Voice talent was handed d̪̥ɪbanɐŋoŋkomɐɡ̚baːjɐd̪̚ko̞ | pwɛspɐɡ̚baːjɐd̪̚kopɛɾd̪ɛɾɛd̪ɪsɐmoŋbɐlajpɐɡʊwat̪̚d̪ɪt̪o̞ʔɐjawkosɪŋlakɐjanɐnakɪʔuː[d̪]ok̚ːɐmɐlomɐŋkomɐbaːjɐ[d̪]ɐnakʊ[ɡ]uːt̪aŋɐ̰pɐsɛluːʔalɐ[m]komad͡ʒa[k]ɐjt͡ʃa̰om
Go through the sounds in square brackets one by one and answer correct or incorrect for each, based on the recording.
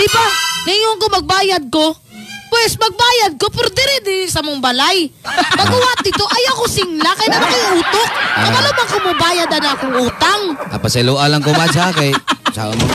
incorrect: t̪, correct, incorrect: ŋ, incorrect: ŋ, correct

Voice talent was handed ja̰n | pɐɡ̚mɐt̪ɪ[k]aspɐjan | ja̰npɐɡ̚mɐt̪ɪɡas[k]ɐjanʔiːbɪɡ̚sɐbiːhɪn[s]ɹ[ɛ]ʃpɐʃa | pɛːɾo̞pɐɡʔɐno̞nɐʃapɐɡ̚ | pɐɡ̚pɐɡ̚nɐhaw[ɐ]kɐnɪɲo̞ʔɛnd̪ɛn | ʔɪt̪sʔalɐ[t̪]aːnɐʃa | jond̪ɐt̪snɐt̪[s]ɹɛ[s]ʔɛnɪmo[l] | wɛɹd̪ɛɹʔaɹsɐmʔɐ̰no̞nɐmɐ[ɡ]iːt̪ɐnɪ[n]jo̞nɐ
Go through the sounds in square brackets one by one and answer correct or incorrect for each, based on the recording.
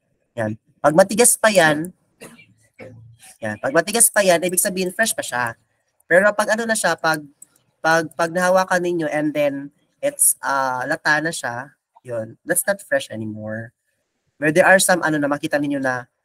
incorrect: ɡ, incorrect: p, incorrect: f, correct, incorrect: a, correct, incorrect: f, incorrect: ʃ, incorrect: ɹ, incorrect: k, incorrect: ɲ

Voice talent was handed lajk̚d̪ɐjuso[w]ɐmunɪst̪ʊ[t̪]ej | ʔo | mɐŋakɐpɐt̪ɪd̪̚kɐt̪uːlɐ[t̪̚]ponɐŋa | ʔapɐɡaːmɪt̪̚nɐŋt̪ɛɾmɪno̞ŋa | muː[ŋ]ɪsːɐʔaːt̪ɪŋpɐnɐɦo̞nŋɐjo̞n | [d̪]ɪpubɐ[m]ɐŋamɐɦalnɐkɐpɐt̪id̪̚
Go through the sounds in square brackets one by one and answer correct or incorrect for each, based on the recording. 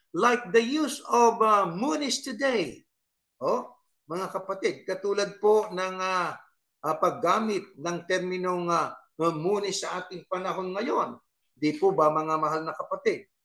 incorrect: v, incorrect: d̪, incorrect: d̪̚, incorrect: n, correct, correct

